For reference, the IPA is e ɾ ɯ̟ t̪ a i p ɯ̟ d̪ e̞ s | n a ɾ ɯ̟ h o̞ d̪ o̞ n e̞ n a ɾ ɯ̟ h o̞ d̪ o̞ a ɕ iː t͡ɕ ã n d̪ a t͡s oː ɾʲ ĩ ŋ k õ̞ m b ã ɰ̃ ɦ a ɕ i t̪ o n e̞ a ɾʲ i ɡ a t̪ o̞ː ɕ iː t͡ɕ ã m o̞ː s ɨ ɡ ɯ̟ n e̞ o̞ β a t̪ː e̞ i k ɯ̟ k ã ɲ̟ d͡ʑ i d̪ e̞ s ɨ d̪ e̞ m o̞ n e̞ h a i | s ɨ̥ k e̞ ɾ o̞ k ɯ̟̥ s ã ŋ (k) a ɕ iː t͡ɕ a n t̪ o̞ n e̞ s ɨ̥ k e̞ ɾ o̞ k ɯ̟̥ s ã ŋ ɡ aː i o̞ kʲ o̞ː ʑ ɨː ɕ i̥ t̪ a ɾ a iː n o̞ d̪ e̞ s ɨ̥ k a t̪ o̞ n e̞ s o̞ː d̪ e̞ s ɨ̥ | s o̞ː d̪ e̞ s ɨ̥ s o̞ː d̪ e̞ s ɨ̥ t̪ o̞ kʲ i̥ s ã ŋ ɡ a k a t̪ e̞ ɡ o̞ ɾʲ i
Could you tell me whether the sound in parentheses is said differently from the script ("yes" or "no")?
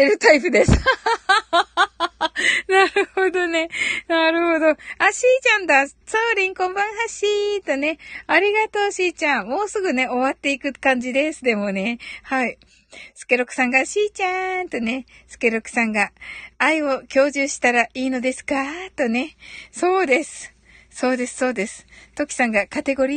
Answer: yes